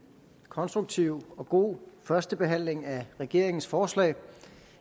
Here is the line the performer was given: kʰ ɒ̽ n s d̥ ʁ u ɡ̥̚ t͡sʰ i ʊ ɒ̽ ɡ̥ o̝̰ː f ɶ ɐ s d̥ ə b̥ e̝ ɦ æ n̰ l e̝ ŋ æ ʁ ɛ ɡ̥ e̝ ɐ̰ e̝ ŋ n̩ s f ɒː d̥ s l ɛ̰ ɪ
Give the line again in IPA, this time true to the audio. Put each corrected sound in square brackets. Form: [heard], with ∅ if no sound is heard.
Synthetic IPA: kʰ ɒ̽ n s d̥ ʁ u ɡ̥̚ t͡sʰ i ʊ ɒ̽ ɡ̥ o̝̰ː f ɶ ɐ s d̥ ə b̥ e̝ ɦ æ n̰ l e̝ ŋ æ ʁ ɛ ɡ̥ e̝ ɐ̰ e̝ ŋ n̩ s f ɒː [∅] s l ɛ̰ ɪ

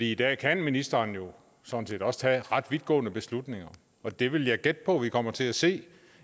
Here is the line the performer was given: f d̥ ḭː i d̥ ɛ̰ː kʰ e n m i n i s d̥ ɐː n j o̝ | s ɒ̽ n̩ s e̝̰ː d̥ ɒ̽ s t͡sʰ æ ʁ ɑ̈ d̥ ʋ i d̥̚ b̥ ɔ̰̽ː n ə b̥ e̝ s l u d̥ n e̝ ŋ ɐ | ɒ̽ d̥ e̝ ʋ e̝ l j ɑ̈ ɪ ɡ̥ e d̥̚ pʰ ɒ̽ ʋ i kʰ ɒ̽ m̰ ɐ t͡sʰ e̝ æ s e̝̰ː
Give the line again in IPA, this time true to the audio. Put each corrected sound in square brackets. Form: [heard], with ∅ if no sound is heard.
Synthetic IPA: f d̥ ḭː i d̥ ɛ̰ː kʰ [æ] n m i n i s d̥ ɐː n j o̝ | s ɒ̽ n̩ s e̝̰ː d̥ ɒ̽ s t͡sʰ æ ʁ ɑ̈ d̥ ʋ i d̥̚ [ɡ̥] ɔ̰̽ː n ə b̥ e̝ s l u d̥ n e̝ ŋ ɐ | ɒ̽ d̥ e̝ ʋ e̝ l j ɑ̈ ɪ ɡ̥ e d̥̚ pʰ ɒ̽ ʋ i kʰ ɒ̽ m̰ ɐ t͡sʰ e̝ æ s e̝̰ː

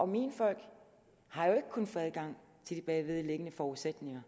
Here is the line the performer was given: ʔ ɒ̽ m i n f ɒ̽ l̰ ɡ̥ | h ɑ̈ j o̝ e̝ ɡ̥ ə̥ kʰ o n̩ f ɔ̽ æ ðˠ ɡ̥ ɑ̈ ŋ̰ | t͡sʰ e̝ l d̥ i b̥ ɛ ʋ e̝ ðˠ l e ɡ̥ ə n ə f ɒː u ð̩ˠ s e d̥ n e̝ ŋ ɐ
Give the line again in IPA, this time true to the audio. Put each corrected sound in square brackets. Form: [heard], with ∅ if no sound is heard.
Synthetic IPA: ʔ ɒ̽ m i n f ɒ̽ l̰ ɡ̥ | h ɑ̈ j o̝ e̝ ɡ̥ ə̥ kʰ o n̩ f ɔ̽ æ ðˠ ɡ̥ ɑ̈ ŋ̰ | t͡sʰ e̝ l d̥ i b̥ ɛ ʋ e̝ ðˠ l e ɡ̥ ə n ə f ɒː u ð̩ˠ s e d̥ n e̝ ŋ ɐ

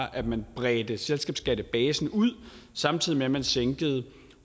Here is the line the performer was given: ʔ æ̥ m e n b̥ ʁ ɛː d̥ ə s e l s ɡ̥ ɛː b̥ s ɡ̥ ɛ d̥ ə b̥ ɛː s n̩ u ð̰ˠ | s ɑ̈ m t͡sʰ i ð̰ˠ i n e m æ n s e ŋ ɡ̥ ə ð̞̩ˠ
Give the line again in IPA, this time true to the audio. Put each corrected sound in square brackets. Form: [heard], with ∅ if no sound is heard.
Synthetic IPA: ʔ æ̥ m [æ] n b̥ ʁ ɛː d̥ ə s e l s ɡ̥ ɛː b̥ s ɡ̥ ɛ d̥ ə b̥ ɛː s n̩ u ð̰ˠ | s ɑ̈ m t͡sʰ i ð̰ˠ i [m] e m æ n s e ŋ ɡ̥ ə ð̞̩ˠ

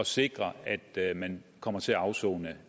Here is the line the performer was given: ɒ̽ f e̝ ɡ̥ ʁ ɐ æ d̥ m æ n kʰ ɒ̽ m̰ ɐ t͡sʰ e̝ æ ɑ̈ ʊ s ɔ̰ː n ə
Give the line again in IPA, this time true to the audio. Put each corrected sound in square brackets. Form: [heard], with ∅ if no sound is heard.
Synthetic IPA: ɒ̽ [s] e̝ ɡ̥ ʁ ɐ æ d̥ m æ n kʰ ɒ̽ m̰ ɐ t͡sʰ e̝ æ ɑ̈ ʊ s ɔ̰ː n ə

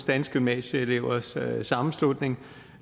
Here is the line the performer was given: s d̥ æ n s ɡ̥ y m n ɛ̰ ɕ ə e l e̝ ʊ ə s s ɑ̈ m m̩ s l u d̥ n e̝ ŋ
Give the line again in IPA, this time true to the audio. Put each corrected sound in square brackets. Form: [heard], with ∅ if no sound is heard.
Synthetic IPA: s d̥ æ n s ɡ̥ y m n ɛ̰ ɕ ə e l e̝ ʊ [ɐ] s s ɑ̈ m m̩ s l u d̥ n e̝ ŋ

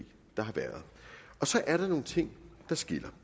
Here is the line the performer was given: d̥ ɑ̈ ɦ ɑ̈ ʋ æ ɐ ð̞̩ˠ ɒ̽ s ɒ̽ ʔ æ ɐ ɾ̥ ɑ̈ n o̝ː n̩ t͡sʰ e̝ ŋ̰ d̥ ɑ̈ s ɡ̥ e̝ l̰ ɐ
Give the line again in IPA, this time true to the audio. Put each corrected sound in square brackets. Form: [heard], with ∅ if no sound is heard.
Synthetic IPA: d̥ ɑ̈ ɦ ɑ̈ ʋ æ ɐ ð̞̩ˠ ɒ̽ s ɒ̽ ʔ æ ɐ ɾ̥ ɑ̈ n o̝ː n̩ t͡sʰ e̝ ŋ̰ d̥ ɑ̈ s ɡ̥ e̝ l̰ ɐ

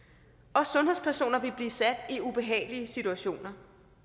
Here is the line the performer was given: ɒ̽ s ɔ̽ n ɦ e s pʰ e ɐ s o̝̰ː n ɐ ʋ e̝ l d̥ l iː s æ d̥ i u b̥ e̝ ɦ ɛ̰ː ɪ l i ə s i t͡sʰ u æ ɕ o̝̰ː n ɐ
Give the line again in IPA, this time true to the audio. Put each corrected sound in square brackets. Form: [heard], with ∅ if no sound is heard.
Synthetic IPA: ɒ̽ s ɔ̽ n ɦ e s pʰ [æ] ɐ s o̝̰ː n ɐ ʋ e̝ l [b̥] l iː s æ d̥ i u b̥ e̝ ɦ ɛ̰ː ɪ l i ə s i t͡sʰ u æ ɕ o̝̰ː n ɐ

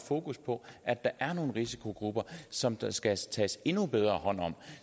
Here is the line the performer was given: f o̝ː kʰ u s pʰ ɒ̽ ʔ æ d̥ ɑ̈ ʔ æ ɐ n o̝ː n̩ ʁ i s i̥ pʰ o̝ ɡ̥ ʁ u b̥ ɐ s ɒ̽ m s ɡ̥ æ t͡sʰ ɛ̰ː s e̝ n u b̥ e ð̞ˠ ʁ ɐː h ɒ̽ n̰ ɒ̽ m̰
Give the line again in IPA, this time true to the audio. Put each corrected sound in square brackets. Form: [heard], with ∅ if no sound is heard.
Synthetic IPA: f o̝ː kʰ u s pʰ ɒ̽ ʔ æ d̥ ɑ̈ ʔ æ ɐ n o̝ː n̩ ʁ i s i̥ [kʰ] o̝ ɡ̥ ʁ u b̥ ɐ s ɒ̽ m s ɡ̥ æ t͡sʰ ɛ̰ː s e̝ n u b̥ e ð̞ˠ ʁ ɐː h ɒ̽ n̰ ɒ̽ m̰

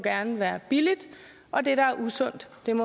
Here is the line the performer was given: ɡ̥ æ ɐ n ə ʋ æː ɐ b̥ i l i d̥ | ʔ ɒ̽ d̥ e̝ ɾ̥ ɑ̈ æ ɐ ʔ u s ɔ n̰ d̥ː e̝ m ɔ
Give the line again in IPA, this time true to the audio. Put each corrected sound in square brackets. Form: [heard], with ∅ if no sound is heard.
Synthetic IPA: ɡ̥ æ ɐ n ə ʋ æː ɐ b̥ i l i d̥ | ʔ ɒ̽ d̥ e̝ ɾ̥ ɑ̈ æ ɐ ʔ u s ɔ n̰ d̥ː e̝ m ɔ

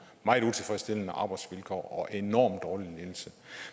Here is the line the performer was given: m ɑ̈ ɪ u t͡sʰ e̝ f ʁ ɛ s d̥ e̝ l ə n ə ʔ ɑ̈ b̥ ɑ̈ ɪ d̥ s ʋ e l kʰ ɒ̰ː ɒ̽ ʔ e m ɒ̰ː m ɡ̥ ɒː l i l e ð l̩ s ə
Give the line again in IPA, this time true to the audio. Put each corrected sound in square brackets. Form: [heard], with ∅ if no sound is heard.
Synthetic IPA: m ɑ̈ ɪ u t͡sʰ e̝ f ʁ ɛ s d̥ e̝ l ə n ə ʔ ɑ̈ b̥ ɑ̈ ɪ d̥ s ʋ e l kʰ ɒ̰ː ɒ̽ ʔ e [n] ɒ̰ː m [d̥] ɒː l i l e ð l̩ s ə

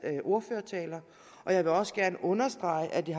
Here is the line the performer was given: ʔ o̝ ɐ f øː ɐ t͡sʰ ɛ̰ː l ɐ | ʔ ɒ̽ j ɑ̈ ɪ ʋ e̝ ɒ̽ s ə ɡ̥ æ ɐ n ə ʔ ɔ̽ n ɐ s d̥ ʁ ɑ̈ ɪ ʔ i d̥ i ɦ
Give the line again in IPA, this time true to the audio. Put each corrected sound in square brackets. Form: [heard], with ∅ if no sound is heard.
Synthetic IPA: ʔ o̝ ɐ f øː ɐ t͡sʰ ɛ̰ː l ɐ | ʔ ɒ̽ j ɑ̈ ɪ ʋ e̝ ɒ̽ s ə ɡ̥ æ ɐ n ə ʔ ɔ̽ n ɐ s d̥ ʁ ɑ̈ ɪ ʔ [æ] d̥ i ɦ

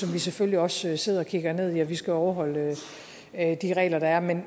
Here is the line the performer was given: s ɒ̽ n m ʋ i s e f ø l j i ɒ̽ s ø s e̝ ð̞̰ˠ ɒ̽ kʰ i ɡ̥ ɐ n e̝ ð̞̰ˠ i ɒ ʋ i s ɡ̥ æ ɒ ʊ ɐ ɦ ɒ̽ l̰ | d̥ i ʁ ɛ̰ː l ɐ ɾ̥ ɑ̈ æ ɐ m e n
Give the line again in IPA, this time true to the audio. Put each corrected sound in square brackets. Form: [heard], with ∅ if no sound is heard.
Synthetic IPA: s ɒ̽ [∅] m ʋ i s e f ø l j i ɒ̽ s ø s e̝ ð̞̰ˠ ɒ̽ kʰ i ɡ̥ ɐ n e̝ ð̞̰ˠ i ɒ ʋ i s ɡ̥ æ ɒ ʊ ɐ ɦ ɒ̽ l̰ | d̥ i ʁ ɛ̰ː l ɐ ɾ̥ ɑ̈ æ ɐ m e n

